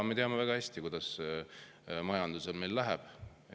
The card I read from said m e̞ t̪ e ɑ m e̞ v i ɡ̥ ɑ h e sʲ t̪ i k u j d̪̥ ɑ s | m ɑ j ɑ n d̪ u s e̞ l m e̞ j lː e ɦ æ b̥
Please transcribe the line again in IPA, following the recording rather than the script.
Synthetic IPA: m e̞ t̪ e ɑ m e̞ v æ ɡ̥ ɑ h æ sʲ t̪ i k u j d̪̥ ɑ s | m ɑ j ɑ n d̪ u s e̞ l m e̞ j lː æ ɦ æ b̥